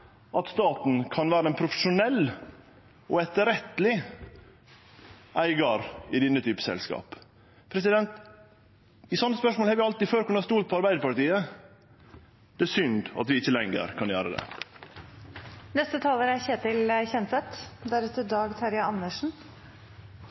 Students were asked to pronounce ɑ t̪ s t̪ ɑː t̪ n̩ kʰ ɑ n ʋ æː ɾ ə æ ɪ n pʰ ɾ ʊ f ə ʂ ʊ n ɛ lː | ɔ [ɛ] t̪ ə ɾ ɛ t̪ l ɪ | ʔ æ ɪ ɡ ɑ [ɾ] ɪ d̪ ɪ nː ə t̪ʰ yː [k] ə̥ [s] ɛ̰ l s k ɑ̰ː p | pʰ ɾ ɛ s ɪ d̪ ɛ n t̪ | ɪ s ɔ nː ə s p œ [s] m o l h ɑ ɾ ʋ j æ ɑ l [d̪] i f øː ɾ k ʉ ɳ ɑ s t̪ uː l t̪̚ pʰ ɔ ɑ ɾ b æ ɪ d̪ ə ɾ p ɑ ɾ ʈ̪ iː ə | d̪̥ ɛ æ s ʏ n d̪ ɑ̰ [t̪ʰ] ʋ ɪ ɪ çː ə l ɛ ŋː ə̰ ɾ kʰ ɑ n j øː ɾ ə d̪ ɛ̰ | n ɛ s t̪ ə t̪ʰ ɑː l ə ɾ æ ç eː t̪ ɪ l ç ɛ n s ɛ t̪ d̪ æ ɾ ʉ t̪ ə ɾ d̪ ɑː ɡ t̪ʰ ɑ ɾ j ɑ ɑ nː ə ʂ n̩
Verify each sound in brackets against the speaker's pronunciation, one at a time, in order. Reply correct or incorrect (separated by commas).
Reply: correct, correct, incorrect, correct, incorrect, incorrect, incorrect